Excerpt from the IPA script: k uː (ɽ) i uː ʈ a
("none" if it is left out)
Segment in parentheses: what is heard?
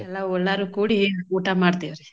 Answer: ɽ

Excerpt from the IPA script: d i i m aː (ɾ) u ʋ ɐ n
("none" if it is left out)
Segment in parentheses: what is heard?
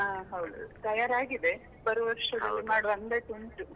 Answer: ɽ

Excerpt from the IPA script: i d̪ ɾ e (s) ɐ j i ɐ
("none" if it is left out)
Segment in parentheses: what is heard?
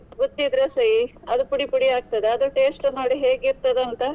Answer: s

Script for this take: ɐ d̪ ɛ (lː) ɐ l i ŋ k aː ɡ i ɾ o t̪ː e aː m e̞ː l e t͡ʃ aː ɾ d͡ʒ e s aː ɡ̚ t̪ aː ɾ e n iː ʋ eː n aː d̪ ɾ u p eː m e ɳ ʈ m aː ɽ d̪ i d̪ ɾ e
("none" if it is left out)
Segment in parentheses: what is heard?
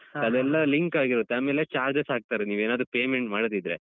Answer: lː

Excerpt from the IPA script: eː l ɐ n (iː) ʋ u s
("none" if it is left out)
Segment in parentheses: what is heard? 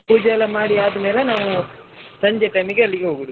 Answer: aː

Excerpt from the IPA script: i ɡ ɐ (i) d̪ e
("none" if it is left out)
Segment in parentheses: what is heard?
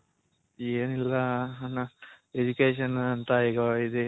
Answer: i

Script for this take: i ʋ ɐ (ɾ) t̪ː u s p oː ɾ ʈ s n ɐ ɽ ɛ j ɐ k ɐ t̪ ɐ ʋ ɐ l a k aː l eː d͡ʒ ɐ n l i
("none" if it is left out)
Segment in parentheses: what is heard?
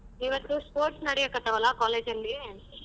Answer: none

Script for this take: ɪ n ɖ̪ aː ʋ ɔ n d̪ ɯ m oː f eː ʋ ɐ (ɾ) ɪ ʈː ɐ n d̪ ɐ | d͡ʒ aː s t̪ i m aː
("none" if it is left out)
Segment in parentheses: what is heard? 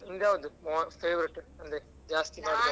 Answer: ɾ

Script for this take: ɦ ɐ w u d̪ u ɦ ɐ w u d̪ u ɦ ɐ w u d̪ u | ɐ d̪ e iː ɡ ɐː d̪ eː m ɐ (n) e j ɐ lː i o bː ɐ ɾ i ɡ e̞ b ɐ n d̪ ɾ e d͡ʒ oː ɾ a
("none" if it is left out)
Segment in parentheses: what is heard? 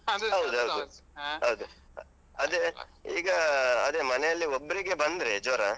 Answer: n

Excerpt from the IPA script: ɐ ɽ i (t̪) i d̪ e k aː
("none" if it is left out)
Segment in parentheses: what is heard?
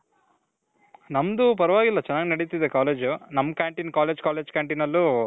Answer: t̪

